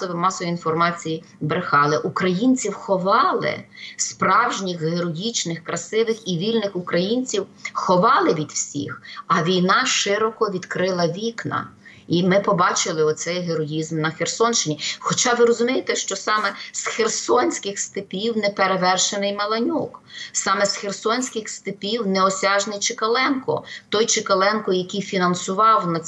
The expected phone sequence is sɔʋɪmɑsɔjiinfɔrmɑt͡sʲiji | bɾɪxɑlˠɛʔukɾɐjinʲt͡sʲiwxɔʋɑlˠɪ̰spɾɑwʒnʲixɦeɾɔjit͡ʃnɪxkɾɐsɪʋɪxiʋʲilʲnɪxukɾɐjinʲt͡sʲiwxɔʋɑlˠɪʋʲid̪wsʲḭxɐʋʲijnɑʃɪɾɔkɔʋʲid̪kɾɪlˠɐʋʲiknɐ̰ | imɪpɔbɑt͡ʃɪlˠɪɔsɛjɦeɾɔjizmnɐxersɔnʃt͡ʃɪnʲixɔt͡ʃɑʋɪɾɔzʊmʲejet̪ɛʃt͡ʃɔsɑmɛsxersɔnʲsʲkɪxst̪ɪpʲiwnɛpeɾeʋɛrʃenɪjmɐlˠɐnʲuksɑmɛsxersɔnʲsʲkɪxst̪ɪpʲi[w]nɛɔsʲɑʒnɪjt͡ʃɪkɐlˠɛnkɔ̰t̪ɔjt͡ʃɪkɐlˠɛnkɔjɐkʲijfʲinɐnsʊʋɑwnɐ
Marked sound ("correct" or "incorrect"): correct